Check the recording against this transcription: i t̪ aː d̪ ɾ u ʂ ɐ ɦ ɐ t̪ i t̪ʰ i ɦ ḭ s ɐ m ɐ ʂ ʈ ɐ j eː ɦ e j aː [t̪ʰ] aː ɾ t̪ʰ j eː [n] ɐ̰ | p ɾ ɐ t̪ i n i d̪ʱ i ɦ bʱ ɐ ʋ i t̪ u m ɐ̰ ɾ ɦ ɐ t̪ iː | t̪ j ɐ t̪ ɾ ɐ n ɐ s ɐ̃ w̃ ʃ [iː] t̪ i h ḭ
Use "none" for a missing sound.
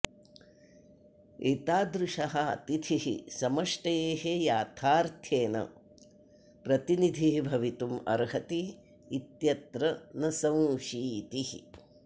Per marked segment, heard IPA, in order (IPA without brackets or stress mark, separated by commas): t̪ʰ, n, iː